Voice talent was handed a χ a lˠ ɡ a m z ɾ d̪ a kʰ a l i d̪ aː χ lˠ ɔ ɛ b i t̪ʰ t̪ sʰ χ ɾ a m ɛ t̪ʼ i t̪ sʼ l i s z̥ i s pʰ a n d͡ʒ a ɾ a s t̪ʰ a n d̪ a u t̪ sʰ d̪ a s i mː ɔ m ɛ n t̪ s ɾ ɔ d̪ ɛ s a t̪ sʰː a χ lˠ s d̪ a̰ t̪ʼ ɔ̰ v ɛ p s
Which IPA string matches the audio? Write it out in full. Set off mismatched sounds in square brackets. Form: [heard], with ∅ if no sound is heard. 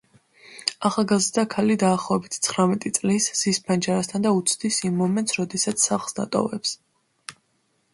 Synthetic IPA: a χ a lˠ ɡ a [∅] z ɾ d̪ a kʰ a l i d̪ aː χ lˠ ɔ ɛ b i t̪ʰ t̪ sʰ χ ɾ a m ɛ t̪ʼ i t̪ sʼ l i s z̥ i s pʰ a n d͡ʒ a ɾ a s t̪ʰ a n d̪ a u t̪ sʰ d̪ [i] s i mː ɔ m ɛ n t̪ s ɾ ɔ d̪ ɛ s a t̪ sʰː a χ lˠ s d̪ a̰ t̪ʼ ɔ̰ v ɛ p s